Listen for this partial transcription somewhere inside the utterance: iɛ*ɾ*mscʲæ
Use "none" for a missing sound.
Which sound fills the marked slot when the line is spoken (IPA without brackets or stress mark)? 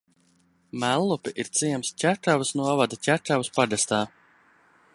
none